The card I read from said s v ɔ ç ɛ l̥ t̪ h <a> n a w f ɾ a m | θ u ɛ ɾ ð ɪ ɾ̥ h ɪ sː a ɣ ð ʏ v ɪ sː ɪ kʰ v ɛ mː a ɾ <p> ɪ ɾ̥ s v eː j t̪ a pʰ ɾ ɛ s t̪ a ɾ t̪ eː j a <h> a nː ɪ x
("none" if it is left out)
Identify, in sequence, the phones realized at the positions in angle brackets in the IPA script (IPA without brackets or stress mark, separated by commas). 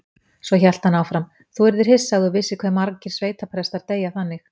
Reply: a, c, θ